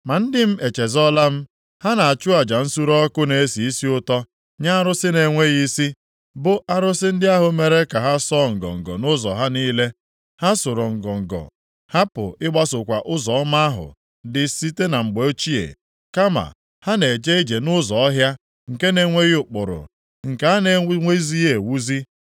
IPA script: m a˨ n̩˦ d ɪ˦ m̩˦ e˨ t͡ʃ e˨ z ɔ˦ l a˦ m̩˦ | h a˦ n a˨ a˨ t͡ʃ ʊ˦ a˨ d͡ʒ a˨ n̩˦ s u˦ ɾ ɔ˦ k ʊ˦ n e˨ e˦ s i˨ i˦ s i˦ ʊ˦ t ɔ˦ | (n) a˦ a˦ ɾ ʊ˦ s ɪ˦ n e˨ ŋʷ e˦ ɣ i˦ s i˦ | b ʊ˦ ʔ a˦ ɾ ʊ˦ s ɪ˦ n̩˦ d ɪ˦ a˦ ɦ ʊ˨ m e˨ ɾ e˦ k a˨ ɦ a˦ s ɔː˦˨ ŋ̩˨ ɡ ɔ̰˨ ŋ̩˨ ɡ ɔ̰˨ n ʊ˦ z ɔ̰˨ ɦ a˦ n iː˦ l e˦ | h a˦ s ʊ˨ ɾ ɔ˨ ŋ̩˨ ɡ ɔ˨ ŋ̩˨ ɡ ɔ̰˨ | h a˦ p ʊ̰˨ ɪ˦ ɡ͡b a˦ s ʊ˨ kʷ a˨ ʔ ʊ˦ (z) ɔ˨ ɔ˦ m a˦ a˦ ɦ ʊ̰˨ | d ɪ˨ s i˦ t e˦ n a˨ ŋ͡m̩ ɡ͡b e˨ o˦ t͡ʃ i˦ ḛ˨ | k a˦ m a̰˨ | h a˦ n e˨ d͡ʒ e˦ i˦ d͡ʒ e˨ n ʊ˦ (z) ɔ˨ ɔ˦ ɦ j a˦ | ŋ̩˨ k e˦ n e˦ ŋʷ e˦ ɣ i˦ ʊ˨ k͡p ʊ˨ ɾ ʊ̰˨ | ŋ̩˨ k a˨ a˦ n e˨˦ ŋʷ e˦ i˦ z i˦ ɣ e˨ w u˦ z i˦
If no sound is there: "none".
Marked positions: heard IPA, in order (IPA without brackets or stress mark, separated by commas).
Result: ɲ, z, z